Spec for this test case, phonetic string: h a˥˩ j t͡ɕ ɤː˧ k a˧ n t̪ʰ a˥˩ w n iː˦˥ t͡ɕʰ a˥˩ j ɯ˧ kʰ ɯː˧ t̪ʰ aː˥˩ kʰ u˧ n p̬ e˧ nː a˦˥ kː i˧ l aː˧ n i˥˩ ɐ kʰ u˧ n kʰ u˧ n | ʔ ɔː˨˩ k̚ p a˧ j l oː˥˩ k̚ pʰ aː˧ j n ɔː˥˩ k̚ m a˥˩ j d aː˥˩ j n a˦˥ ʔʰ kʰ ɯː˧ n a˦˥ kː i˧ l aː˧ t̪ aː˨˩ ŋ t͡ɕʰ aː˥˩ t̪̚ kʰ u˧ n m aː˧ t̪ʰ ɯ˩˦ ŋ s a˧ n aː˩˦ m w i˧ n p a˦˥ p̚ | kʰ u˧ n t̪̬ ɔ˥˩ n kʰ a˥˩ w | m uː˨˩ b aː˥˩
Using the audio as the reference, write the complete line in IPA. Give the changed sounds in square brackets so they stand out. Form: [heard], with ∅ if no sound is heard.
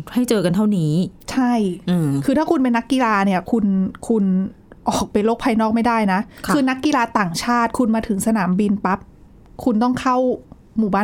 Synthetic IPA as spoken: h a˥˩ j t͡ɕ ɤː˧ k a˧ n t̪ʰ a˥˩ w n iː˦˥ t͡ɕʰ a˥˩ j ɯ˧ kʰ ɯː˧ t̪ʰ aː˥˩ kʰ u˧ n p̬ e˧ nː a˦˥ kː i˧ l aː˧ n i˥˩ ɐ kʰ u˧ n kʰ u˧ n | ʔ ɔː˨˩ k̚ p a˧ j l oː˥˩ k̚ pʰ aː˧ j n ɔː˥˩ k̚ m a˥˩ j d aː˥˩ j n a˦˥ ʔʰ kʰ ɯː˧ n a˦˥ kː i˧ l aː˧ t̪ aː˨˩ ŋ t͡ɕʰ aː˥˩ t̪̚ kʰ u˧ n m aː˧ t̪ʰ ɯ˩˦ ŋ s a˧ n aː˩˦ m [b] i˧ n p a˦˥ p̚ | kʰ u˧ n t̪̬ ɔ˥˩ [ŋ] kʰ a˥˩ w | m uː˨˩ b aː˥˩